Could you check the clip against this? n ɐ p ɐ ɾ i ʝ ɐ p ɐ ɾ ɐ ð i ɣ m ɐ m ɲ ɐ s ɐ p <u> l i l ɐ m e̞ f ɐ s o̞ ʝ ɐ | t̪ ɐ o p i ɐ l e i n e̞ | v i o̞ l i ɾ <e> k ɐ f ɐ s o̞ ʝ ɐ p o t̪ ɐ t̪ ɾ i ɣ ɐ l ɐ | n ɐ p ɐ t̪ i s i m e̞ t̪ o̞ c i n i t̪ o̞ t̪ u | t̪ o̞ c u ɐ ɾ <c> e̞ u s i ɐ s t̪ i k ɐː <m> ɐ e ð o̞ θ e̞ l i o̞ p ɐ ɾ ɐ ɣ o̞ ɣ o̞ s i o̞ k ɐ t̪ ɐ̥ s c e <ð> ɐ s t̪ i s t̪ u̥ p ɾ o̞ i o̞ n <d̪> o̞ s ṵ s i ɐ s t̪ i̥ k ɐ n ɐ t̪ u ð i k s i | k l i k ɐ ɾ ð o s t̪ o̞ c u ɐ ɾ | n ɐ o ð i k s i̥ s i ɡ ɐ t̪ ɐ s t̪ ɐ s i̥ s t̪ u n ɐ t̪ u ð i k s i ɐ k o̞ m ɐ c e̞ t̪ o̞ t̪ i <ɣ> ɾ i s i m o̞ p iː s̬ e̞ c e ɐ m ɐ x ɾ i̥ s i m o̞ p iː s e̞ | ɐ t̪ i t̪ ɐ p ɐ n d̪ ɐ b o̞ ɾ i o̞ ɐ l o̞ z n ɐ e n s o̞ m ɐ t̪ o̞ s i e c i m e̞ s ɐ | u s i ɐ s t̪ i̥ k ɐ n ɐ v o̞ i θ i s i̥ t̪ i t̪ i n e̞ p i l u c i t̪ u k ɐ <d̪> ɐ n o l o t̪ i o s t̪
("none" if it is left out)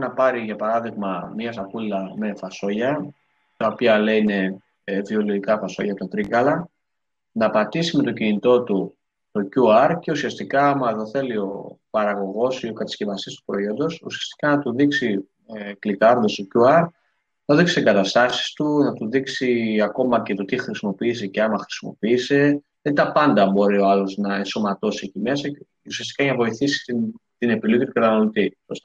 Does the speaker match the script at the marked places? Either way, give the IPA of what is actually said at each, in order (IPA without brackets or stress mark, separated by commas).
u, i, c, m, v, d̪, x, t̪